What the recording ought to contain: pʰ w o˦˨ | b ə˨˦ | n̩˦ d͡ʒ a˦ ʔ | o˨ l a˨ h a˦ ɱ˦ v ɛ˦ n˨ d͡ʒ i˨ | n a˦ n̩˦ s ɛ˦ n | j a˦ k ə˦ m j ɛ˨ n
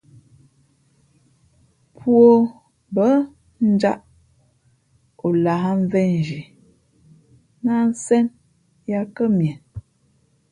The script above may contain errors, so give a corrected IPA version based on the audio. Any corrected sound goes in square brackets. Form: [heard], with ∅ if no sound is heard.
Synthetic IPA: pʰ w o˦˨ | b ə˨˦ | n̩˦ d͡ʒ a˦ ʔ | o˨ l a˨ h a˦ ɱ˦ v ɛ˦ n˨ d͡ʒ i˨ | n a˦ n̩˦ s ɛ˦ n | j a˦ k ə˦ m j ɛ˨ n